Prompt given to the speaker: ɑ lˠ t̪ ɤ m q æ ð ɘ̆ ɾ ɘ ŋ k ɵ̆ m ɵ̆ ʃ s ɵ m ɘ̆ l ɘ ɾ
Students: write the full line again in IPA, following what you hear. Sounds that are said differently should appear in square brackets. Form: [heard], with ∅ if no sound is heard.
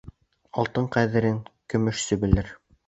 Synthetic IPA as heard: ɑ lˠ t̪ ɤ [ɴ] q æ ð ɘ̆ ɾ ɘ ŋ k ɵ̆ m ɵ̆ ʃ s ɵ [b] ɘ̆ l ɘ ɾ